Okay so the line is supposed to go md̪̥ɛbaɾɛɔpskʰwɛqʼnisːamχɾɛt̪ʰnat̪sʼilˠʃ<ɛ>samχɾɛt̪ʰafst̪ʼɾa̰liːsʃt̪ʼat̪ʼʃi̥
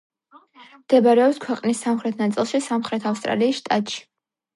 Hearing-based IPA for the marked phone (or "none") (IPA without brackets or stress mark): i